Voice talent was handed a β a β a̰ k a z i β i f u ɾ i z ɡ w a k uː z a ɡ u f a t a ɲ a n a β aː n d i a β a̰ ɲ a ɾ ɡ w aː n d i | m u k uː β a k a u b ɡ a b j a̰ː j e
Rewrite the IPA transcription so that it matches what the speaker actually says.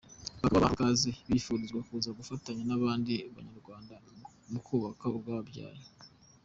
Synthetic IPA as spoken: a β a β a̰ k a z i β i f u ɾ i z ɡ w a k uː z a ɡ u f a t a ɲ a n a β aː n d i a β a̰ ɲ a ɾ ɡ w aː n d a | m u k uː β a k a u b ɡ a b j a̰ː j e

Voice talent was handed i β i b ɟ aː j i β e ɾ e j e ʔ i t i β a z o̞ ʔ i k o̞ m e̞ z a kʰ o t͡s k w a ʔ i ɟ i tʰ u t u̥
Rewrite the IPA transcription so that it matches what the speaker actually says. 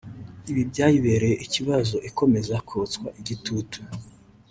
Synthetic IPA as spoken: i β i b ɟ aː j i β e ɾ e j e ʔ i c i β a z o̞ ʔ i k o̞ m e̞ z a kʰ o t͡s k w a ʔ i ɟ i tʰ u t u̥

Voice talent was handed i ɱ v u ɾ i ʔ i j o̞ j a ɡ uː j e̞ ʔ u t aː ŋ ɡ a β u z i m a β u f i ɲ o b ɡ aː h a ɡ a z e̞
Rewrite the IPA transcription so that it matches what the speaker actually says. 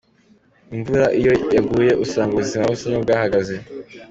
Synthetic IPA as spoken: i ɱ v u ɾ a ʔ i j o̞ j a ɡ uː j e̞ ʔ u s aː ŋ ɡ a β u z i m a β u s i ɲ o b ɡ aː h a ɡ a z e̞

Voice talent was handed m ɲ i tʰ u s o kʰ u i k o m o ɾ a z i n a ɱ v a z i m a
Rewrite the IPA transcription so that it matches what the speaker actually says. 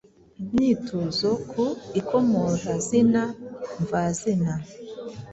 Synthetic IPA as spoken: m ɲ i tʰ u z o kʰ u i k o m o ɾ a z i n a ɱ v a z i n a

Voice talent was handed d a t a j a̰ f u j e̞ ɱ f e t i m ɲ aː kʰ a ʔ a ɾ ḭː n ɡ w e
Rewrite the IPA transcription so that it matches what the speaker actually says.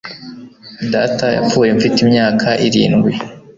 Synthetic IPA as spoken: d a t a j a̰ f uː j e̞ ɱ f i t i m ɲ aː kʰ a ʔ i ɾ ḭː n ɡ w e

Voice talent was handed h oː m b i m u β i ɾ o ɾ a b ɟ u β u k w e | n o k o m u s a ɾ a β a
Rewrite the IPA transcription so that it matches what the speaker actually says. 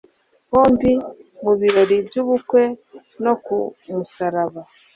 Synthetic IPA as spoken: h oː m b i m u β i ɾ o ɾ i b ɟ u β u k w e | n o k u m u s a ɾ a β a

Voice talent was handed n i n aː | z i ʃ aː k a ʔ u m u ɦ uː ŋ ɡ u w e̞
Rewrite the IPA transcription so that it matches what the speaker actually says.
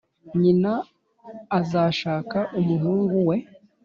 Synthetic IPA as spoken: ɲ i n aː | z a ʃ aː k a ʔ u m u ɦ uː ŋ ɡ u w e̞

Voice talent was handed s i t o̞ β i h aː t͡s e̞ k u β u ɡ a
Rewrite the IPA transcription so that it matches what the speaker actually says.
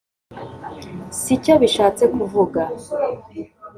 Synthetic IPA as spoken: s i c o̞ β i ʃ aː t͡s e̞ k u v u ɡ a

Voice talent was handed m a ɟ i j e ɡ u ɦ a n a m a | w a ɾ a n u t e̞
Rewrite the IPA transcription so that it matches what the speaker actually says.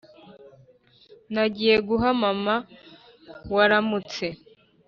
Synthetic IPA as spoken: n a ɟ i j e ɡ u ɦ a m a m a | w a ɾ a m u t͡s e̞

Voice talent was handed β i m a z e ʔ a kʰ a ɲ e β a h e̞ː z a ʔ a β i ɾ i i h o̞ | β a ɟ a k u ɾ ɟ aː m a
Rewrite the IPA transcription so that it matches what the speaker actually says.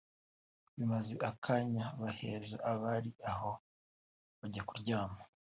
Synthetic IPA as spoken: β i m a z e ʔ a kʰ a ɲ a β a h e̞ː z a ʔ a β a ɾ i a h o̞ | β a ɟ a k u ɾ ɟ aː m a

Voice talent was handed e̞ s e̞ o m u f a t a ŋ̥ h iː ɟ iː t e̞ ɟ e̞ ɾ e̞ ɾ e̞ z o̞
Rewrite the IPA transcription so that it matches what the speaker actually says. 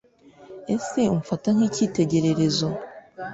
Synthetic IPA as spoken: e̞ s e̞ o m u f a t a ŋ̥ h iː c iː t e̞ ɟ e̞ ɾ e̞ ɾ e̞ z o̞

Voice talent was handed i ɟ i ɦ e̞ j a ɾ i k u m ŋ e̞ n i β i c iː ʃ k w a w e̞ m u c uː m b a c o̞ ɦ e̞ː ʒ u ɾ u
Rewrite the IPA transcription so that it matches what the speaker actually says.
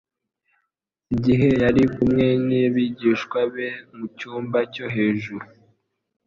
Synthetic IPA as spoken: i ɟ i ɦ e̞ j a ɾ i k u m ŋ e̞ n i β i ɟ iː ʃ k w a β e̞ m u c uː m b a c o̞ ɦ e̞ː ʒ u ɾ u

